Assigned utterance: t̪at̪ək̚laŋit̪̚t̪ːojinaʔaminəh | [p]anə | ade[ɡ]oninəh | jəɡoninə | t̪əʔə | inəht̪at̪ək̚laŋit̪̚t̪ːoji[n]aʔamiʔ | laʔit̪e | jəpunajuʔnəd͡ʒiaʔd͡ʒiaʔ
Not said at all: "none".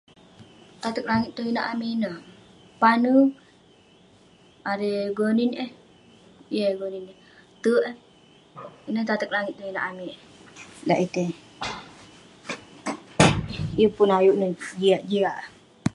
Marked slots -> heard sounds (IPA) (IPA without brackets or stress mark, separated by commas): p, ɡ, n